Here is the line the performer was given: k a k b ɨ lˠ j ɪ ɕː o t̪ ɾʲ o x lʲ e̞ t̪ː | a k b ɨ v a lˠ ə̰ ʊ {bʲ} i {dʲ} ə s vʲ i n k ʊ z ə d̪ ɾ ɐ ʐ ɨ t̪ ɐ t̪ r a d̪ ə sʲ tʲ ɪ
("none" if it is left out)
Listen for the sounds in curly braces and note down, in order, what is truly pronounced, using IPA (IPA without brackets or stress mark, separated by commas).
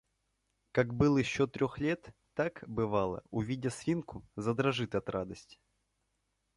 vʲ, dʲ